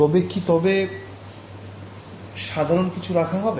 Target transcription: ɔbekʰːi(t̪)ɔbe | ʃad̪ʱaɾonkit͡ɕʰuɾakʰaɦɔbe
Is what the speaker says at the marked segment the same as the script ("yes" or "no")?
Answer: yes